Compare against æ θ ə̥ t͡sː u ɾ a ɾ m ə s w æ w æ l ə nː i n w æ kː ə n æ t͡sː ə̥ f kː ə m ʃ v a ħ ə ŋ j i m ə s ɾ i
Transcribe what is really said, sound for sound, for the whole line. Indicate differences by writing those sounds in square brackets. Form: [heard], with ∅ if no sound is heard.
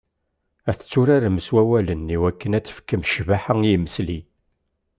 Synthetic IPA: æ θ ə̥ t͡sː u ɾ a ɾ m ə s w æ w æ l ə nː i [∅] w æ kː ə n æ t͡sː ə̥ f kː ə m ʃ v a ħ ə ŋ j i m ə s [l] i